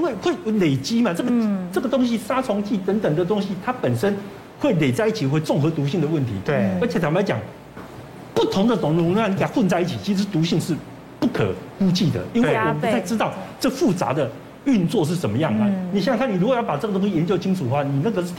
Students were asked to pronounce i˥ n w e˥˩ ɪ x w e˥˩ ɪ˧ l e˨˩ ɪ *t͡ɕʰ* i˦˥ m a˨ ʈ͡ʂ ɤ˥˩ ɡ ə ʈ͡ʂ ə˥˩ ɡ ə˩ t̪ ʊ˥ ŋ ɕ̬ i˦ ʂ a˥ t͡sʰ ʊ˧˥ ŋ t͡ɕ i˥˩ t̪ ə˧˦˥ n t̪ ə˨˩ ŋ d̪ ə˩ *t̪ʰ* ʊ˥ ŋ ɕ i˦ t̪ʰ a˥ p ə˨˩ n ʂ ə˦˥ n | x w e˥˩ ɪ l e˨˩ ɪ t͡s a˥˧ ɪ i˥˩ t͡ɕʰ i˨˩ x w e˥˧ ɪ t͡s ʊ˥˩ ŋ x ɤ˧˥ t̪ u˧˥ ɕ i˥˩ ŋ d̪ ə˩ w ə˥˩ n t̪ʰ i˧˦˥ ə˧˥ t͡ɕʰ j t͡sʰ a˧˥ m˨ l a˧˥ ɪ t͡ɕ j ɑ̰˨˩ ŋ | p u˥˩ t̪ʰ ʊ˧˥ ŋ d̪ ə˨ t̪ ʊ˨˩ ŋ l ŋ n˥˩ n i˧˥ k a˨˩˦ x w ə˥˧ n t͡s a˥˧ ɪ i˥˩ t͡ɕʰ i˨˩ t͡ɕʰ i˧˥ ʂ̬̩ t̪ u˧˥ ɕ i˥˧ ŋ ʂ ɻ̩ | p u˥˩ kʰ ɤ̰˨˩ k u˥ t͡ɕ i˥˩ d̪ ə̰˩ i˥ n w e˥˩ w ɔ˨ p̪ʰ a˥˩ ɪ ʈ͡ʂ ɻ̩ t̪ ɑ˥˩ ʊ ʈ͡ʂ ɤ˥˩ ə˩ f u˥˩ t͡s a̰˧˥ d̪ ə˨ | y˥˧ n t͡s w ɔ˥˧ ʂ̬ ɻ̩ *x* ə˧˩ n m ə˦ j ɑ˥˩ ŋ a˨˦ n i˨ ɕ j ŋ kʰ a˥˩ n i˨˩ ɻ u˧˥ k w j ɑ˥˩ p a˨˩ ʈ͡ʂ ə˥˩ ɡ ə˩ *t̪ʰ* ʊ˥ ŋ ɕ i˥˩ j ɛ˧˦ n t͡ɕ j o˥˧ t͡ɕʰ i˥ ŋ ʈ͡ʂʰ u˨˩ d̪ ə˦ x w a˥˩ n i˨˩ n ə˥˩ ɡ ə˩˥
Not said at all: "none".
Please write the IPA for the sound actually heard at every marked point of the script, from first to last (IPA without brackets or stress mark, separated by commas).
t͡ɕ, t̪, ʂ, t̪